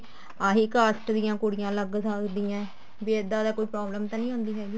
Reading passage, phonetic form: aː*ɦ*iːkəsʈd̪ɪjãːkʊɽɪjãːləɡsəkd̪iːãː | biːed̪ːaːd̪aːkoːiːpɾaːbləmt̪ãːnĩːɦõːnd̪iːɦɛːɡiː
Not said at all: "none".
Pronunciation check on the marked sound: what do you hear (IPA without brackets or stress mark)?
ɦ